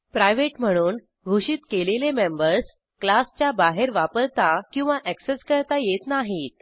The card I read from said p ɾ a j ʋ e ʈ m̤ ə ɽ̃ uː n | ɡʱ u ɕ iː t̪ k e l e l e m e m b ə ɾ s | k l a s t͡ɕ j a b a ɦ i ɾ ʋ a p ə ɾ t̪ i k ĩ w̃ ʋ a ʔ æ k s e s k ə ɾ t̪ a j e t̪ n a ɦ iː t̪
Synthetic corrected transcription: p ɾ a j ʋ e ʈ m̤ ə ɽ̃ uː n | ɡʱ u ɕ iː t̪ k e l e l e m e m b ə ɾ s | k l a s t͡ɕ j a b a ɦ e ɾ ʋ a p ə ɾ t̪ a k ĩ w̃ ʋ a ʔ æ k s e s k ə ɾ t̪ a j e t̪ n a ɦ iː t̪

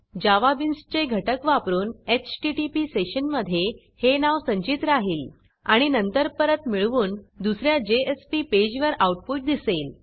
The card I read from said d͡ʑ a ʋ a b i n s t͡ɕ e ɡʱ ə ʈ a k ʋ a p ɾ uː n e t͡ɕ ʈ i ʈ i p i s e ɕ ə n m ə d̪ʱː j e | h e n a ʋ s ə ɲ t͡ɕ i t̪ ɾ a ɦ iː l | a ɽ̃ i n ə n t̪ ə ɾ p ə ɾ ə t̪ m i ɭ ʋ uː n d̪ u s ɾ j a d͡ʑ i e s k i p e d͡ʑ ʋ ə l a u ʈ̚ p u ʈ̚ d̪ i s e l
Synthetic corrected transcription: d͡ʑ a ʋ a b i n s t͡ɕ e ɡʱ ə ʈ ə k ʋ a p ɾ uː n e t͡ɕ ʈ i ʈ i p i s e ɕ ə n m ə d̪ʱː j e | h e n a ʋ s ə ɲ t͡ɕ i t̪ ɾ a ɦ iː l | a ɽ̃ i n ə n t̪ ə ɾ p ə ɾ ə t̪ m i ɭ ʋ uː n d̪ u s ɾ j a d͡ʑ e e s p i p e d͡ʑ ʋ ə ɾ a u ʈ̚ p u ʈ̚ d̪ i s e l

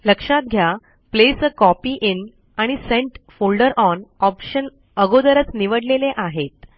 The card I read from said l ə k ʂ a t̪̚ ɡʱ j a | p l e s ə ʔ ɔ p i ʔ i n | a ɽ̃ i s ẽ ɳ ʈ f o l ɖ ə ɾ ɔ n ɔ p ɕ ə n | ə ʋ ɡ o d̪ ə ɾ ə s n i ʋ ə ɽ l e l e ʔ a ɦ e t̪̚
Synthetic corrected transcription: l ə k ʂ a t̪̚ ɡʱ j a | p l e s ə k ɔ p i ʔ i n | a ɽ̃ i s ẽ ɳ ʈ f o l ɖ ə ɾ ɔ n ɔ p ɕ ə n | ə ɡ o d̪ ə ɾ ə t͡s n i ʋ ə ɽ l e l e ʔ a ɦ e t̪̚

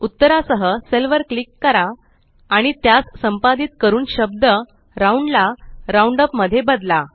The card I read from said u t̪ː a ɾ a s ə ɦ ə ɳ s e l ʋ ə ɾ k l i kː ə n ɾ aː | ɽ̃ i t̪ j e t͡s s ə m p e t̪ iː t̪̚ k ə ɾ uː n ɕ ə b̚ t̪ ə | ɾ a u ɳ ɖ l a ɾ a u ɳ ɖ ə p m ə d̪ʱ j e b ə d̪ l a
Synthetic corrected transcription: u t̪ː ə ɾ a s ə ɦ ə s e l ʋ ə ɾ k l i kː ə ɾ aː | ɽ̃ i t̪ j a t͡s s ə m p a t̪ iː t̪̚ k ə ɾ uː n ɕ ə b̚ d̪ ə | ɾ a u ɳ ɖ l a ɾ a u ɳ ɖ ə p m ə d̪ʱ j e b ə d̪ l a

